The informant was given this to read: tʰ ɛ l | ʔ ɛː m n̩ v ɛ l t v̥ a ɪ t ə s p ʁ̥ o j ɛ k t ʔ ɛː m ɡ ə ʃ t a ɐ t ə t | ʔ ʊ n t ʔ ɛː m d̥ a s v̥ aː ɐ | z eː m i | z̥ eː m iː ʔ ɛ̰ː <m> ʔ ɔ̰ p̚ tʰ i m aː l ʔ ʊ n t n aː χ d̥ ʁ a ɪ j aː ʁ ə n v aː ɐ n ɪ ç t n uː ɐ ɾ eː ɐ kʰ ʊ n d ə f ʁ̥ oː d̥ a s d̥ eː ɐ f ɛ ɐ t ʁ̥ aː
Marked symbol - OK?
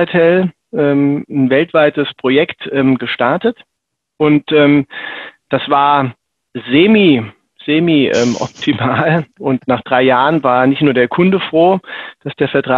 yes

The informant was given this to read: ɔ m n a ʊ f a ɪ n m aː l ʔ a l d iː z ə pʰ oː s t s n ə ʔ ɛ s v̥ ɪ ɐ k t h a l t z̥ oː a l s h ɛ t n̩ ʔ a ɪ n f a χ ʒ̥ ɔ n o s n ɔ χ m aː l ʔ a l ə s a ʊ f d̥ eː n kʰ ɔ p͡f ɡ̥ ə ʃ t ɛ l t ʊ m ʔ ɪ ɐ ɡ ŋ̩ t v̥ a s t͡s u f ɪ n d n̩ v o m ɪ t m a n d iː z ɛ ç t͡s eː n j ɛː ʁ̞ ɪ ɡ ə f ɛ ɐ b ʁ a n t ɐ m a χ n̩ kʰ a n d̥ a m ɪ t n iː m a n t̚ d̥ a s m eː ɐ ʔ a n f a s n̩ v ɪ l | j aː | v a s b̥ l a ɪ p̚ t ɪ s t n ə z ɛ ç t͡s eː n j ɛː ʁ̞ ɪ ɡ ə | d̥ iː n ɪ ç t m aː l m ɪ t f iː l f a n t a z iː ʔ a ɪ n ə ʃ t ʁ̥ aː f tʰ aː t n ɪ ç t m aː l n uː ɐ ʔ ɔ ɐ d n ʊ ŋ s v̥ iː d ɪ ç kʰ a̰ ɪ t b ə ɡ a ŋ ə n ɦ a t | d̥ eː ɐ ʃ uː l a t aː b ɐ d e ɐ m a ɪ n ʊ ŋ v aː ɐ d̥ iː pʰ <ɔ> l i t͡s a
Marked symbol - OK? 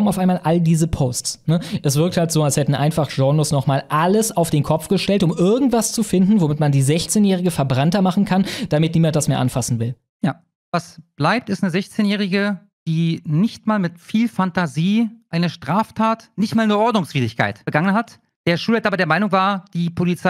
no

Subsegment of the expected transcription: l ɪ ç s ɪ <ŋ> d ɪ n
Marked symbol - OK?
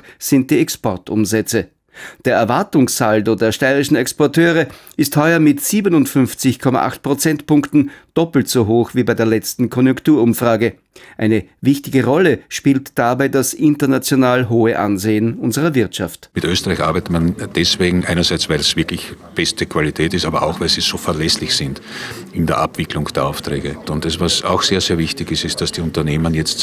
no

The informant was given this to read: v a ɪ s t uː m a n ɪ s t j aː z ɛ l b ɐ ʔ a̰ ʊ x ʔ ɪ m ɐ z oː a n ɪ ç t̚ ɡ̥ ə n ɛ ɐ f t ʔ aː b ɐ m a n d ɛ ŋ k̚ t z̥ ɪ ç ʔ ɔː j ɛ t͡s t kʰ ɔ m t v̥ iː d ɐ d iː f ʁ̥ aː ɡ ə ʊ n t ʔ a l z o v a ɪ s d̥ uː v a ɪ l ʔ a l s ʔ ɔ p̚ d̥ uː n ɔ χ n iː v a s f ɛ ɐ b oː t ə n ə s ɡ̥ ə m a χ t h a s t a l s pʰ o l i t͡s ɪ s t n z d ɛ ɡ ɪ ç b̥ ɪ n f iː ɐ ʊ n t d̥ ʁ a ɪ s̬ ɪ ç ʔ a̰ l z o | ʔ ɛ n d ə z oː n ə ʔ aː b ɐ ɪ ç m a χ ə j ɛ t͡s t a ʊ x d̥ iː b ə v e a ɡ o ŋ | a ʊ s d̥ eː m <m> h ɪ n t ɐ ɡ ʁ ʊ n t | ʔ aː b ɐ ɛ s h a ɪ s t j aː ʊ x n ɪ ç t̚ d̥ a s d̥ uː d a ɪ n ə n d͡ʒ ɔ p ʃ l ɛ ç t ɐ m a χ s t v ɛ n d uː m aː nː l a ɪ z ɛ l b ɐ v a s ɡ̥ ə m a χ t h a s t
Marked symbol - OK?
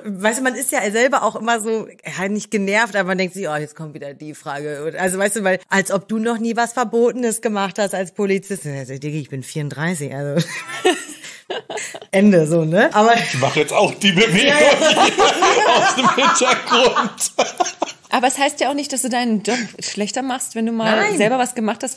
yes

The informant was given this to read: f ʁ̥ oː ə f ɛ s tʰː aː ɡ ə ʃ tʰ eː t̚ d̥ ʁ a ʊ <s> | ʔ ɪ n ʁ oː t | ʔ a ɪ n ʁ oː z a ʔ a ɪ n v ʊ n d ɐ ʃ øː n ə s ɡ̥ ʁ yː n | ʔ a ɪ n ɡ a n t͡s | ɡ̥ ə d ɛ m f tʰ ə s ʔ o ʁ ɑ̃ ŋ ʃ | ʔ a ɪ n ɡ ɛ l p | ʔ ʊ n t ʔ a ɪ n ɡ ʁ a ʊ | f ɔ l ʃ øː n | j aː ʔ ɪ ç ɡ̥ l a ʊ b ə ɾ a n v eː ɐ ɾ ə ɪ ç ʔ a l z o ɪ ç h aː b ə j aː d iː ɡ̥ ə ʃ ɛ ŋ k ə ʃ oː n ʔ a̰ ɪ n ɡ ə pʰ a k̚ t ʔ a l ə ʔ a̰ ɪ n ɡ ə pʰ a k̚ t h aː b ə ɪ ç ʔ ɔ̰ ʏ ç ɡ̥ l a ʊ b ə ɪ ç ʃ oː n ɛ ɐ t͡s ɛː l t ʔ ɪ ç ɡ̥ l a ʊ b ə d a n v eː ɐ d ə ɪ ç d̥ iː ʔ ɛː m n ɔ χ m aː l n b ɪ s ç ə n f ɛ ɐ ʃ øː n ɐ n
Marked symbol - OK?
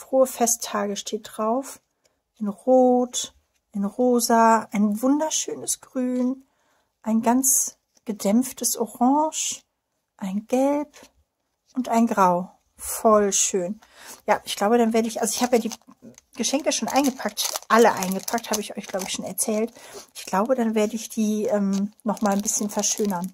no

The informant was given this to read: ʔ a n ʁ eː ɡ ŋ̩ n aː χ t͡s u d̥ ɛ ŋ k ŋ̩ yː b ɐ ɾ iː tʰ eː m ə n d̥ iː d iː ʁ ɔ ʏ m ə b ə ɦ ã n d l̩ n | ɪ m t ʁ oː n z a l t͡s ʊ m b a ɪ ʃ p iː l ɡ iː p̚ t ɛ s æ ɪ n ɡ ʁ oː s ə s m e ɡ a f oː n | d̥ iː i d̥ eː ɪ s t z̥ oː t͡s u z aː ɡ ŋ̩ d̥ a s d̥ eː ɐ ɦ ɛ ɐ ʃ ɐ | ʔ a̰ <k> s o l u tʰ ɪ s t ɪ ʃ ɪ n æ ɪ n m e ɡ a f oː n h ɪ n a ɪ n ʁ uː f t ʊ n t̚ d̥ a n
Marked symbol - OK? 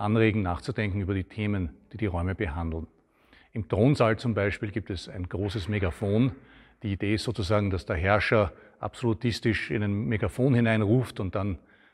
no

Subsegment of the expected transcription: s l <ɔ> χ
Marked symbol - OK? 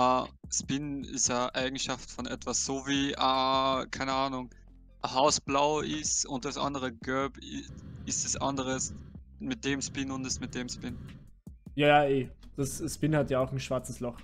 yes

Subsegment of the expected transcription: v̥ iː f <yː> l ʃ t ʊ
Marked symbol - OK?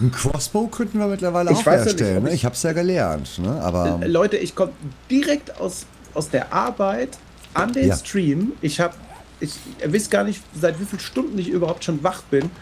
no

